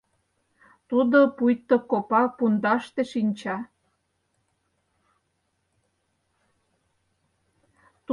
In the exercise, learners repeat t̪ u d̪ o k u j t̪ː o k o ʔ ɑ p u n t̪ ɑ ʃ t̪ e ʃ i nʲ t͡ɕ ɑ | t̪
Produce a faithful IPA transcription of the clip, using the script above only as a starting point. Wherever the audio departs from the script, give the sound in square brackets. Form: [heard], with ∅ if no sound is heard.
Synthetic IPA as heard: t̪ u d̪ o [p] u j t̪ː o k o [p] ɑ p u n [d̪] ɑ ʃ t̪ e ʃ i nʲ t͡ɕ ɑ | t̪